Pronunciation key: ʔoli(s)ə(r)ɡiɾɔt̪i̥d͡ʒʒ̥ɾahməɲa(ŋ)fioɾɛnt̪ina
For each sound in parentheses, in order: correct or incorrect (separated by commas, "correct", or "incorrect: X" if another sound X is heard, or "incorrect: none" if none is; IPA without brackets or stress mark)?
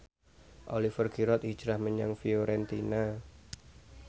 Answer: incorrect: f, correct, correct